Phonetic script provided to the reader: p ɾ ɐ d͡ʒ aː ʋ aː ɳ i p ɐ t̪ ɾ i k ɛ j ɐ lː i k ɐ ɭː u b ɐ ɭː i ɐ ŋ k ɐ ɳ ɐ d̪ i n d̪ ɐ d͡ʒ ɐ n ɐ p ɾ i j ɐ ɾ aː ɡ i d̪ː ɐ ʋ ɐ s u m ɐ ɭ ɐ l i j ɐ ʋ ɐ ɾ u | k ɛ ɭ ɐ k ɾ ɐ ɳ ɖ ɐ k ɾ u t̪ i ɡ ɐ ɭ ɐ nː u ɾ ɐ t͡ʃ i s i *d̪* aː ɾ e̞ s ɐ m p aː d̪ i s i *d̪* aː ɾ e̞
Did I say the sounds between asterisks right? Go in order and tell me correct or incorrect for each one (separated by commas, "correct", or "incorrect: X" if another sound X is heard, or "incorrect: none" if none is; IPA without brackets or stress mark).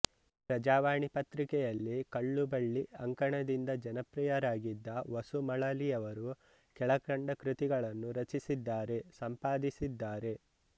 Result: incorrect: d̪ː, incorrect: d̪ː